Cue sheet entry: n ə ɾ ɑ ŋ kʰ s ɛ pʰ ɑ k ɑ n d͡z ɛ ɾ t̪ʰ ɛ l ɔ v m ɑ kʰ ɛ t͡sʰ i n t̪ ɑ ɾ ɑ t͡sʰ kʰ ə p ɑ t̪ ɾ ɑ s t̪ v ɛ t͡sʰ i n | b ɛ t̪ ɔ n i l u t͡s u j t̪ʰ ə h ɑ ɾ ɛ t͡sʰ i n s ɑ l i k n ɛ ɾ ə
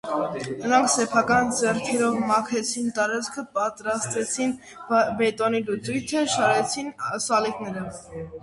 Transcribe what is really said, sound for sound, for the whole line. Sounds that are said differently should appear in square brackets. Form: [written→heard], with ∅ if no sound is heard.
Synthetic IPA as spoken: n ə ɾ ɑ ŋ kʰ s ɛ pʰ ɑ k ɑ n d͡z ɛ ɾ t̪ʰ ɛ [l→ɾ] ɔ v m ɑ kʰ ɛ t͡sʰ i n t̪ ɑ ɾ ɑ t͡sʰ kʰ ə p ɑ t̪ ɾ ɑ s t̪ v ɛ t͡sʰ i n | b ɛ t̪ ɔ n i l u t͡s u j t̪ʰ ə [h→ʃ] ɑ ɾ ɛ t͡sʰ i n s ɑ l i k n ɛ ɾ ə